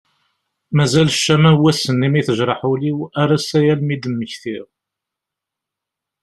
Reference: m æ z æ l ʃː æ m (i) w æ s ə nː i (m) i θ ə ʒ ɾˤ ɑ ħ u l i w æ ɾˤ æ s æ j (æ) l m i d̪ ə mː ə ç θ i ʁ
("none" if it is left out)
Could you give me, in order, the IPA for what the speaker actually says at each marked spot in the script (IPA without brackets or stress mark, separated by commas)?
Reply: æ, m, æ